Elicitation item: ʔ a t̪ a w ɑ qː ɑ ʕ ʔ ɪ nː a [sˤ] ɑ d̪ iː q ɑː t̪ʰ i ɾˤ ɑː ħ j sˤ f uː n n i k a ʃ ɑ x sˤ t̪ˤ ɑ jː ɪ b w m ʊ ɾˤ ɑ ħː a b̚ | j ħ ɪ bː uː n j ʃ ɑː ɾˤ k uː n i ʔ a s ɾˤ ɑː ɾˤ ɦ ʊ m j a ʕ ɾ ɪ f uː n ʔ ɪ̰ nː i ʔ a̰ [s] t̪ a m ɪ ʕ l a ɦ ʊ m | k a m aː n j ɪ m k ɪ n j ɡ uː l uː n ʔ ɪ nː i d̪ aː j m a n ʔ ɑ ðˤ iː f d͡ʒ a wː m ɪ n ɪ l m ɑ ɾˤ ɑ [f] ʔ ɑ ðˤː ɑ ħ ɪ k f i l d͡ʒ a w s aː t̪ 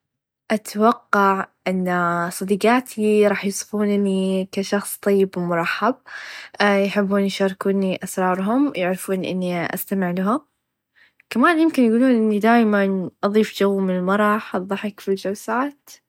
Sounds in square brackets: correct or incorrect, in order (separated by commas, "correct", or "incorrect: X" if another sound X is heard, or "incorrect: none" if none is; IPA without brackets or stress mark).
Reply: correct, correct, incorrect: ħ